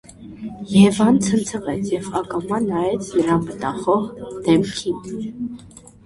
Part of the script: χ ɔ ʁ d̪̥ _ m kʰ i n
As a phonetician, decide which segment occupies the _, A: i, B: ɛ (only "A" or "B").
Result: B